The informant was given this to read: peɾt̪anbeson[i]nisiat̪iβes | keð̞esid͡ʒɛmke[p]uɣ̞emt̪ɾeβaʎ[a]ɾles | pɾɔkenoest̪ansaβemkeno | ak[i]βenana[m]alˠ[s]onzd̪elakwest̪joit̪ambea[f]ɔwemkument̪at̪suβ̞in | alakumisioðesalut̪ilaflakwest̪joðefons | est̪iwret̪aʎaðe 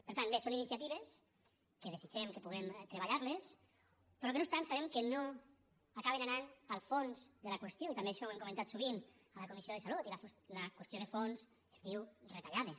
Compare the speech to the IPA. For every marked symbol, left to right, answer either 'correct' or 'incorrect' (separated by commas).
correct, correct, correct, incorrect, incorrect, incorrect, incorrect